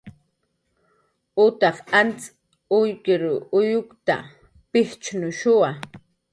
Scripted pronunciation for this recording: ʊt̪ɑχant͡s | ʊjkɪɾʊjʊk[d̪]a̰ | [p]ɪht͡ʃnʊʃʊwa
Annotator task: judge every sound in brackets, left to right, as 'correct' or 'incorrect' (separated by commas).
incorrect, correct